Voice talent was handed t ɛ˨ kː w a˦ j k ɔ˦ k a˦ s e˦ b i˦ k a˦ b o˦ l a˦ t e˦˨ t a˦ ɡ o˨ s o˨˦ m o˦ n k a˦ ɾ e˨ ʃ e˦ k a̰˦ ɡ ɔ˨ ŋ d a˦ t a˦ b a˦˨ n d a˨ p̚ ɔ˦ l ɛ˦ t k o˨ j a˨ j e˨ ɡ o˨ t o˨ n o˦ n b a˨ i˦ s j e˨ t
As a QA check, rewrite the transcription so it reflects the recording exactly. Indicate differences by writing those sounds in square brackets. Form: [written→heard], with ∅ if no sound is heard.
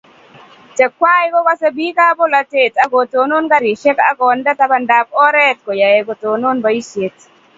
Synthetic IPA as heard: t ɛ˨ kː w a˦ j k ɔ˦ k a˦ s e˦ b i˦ k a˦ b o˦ l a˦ t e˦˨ t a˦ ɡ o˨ [s→t] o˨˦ [m→n] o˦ n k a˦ ɾ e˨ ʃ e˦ k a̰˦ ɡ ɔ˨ [ŋ→n] d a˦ t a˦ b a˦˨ n d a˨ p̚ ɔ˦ [l→ɾ] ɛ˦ t k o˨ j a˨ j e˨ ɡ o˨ t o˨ n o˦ n b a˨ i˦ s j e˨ t